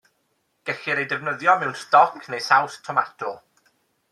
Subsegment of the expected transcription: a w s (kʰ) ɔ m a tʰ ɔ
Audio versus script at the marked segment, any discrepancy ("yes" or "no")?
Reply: yes